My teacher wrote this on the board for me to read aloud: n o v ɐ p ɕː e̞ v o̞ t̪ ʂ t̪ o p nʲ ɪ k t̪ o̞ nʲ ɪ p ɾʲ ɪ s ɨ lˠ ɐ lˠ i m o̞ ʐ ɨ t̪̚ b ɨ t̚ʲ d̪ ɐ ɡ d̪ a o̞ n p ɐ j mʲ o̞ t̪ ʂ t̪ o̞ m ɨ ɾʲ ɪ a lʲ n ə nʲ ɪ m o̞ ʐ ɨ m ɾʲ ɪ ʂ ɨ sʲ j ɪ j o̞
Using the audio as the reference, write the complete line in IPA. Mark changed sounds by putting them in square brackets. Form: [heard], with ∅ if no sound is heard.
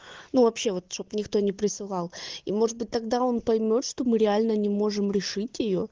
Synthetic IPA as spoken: n [u] v ɐ p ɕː e̞ v o̞ t̪ ʂ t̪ o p nʲ ɪ k t̪ o̞ nʲ ɪ p ɾʲ ɪ s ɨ lˠ [ɑ] lˠ i m o̞ ʐ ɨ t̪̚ b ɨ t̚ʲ [t̪] ɐ ɡ d̪ a o̞ n p ɐ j mʲ o̞ t̪ ʂ t̪ o̞ m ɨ ɾʲ ɪ a lʲ n ə nʲ ɪ m o̞ ʐ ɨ m ɾʲ ɪ ʂ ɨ [tʲ] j ɪ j o̞